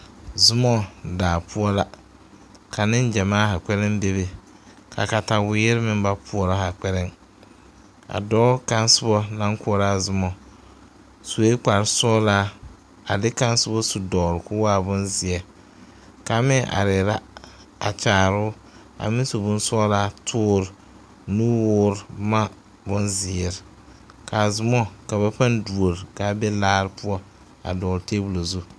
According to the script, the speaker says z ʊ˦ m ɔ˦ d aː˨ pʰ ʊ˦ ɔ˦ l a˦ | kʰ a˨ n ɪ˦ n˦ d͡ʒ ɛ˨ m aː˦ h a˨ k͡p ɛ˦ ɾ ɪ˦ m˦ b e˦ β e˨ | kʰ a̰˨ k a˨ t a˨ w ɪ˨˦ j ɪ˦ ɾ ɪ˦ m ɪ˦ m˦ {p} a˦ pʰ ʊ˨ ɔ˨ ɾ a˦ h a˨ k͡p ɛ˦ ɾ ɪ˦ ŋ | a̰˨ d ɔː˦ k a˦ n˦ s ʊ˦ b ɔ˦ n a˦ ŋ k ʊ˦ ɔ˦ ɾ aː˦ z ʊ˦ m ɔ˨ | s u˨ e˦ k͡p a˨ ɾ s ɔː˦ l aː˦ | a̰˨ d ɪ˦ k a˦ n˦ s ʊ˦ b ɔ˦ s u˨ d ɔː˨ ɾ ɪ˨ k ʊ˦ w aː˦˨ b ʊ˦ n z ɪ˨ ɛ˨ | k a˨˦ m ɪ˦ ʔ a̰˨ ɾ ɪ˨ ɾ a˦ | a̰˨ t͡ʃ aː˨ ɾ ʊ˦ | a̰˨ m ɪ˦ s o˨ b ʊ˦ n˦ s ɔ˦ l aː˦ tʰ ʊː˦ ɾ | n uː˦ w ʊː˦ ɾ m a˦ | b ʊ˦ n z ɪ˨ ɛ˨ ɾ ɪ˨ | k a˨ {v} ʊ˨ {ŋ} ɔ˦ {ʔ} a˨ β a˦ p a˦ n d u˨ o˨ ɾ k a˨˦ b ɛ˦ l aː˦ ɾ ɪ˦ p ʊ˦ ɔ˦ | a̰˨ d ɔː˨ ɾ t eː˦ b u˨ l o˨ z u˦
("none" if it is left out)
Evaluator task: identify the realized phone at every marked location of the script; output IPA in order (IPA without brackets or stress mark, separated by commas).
b, z, m, k